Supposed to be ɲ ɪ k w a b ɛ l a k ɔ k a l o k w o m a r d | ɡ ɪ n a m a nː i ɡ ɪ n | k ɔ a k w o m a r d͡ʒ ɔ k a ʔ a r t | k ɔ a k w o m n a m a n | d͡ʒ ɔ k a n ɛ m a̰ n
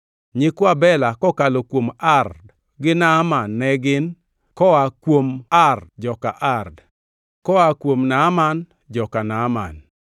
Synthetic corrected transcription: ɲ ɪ k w a b ɛ l a k ɔ k a l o k w o m a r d | ɡ ɪ n a m a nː ɛ ɡ ɪ n | k ɔ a k w o m a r d͡ʒ ɔ k a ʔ a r d | k ɔ a k w o m n a m a n | d͡ʒ ɔ k a n a m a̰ n

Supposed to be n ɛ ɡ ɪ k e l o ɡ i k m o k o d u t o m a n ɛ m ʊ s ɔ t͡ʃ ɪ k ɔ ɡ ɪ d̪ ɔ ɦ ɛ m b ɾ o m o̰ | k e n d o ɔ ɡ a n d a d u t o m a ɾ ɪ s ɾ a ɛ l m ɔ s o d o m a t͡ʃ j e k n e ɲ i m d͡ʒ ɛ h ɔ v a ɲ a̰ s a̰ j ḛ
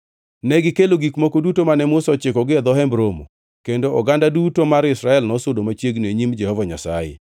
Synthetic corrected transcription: n ɛ ɡ ɪ k e l o ɡ i k m o k o d u t o m a n ɛ m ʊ s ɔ t͡ʃ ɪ k ɔ ɡ ɪ d̪ ɔ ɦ ɛ m b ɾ o m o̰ | k e n d o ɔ ɡ a n d a d u t o m a ɾ ɪ s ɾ a ɛ l n ɔ s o d o m a t͡ʃ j e ɡ n e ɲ i m d͡ʒ ɛ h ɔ v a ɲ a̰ s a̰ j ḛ

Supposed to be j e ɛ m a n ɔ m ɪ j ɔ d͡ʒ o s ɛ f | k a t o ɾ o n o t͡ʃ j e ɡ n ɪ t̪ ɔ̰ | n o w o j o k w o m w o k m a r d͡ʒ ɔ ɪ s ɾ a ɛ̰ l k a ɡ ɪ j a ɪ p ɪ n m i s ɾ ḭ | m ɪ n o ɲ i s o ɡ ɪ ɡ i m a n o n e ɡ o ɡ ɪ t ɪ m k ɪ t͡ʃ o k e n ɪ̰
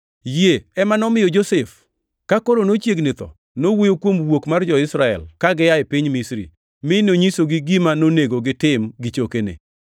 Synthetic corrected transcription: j e ɛ m a n ɔ m ɪ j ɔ d͡ʒ o s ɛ f | k a k o ɾ o n o t͡ʃ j e ɡ n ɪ t̪ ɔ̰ | n o w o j o k w o m w o k m a r d͡ʒ ɔ ɪ s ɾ a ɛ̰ l k a ɡ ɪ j a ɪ p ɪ ɲ m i s ɾ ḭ | m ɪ n o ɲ i s o ɡ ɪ ɡ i m a n o n e ɡ o ɡ ɪ t ɪ m ɡ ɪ t͡ʃ o k e n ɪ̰

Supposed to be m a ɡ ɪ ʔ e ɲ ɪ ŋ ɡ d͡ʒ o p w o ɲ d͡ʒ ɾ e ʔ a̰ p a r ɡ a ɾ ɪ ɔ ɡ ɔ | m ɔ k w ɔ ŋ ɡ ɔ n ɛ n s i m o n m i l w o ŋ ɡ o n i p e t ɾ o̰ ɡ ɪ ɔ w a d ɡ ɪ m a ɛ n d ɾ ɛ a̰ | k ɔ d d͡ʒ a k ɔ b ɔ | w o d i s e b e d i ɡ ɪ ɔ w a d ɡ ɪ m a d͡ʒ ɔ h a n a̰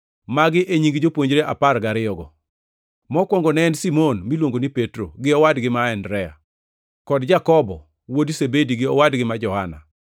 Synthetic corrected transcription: m a ɡ ɪ ʔ e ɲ i ŋ ɡ d͡ʒ o p w o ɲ d͡ʒ ɾ e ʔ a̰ p a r ɡ a ɾ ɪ ɔ ɡ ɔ | m ɔ k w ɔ ŋ ɡ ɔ n ɛ n s i m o n m i l w o ŋ ɡ o n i p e t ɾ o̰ ɡ ɪ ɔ w a d ɡ ɪ m a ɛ n d ɾ ɛ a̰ | k ɔ d d͡ʒ a k ɔ b ɔ | w o d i s e b e d i ɡ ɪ ɔ w a d ɡ ɪ m a d͡ʒ ɔ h a n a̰

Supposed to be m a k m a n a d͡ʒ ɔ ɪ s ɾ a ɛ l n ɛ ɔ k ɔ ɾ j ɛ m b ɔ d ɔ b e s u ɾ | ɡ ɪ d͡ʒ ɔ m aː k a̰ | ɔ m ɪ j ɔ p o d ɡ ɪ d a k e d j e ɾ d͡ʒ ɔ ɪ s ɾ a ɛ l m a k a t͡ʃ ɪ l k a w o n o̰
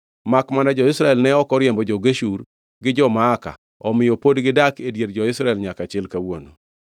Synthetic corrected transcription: m a k m a n a d͡ʒ ɔ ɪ s ɾ a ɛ l n ɛ ɔ k ɔ ɾ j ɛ m b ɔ d͡ʒ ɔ ɡ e ʃ u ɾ | ɡ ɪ d͡ʒ ɔ m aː k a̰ | ɔ m ɪ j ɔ p o d ɡ ɪ d a k e d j e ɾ d͡ʒ ɔ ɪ s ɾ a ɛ l ɲ a k a t͡ʃ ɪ l k a w o n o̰

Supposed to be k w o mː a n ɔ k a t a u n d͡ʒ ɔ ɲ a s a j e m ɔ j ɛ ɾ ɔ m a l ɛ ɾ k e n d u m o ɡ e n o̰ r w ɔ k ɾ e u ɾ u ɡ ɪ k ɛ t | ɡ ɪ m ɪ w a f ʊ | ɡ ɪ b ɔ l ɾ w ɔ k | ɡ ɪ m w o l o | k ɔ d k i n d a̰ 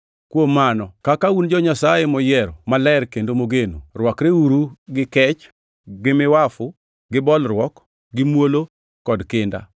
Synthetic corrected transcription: k w o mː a n ɔ k a k a u n d͡ʒ ɔ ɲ a s a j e m ɔ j ɛ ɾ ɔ m a l ɛ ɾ k e n d o m o ɡ e n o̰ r w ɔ k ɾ e u ɾ u ɡ ɪ k ɛ t͡ʃ | ɡ ɪ m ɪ w a f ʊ | ɡ ɪ b ɔ l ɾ w ɔ k | ɡ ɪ m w o l o | k ɔ d k ɪ n d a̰

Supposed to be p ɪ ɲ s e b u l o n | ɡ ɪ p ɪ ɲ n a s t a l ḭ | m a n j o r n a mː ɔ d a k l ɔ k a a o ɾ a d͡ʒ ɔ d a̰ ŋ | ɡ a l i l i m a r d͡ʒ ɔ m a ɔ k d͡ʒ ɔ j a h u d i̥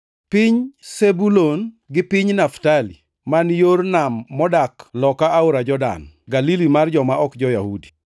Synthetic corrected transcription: p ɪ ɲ s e b u l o n | ɡ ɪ p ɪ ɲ n a f t a l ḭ | m a n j o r n a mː ɔ d a k l ɔ k a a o ɾ a d͡ʒ ɔ d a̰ n | ɡ a l i l i m a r d͡ʒ ɔ m a ɔ k d͡ʒ ɔ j a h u d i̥

